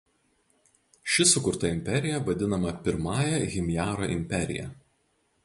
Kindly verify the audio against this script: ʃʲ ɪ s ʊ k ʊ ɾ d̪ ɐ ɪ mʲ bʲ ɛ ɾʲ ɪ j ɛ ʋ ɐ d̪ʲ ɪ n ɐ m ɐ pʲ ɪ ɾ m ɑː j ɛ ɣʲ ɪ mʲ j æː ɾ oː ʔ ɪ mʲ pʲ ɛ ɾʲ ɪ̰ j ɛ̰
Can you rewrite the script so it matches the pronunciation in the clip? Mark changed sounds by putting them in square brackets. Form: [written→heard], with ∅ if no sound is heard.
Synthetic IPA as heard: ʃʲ ɪ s ʊ k ʊ ɾ [d̪→t̪] ɐ ɪ mʲ [bʲ→pʲ] ɛ ɾʲ ɪ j ɛ ʋ ɐ d̪ʲ ɪ n ɐ m ɐ pʲ ɪ ɾ m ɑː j ɛ ɣʲ ɪ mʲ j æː ɾ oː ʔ ɪ mʲ pʲ ɛ ɾʲ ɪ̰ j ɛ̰